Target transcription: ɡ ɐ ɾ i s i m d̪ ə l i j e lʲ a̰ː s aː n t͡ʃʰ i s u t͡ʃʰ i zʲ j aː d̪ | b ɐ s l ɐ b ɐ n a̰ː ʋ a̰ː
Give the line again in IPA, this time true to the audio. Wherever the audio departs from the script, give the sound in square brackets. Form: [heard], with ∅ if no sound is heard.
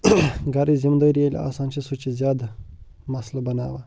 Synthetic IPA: ɡ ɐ ɾ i [z] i m d̪ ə [ɾ] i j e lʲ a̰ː s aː n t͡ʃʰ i s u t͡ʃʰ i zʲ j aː d̪ | [m] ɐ s l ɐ b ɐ n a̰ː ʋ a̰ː